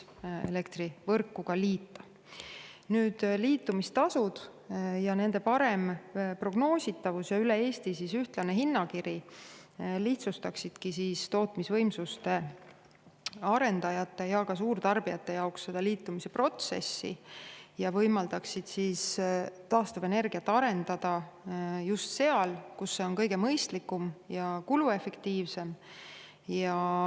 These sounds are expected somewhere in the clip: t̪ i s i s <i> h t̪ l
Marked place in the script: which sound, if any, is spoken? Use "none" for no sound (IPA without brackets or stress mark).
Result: y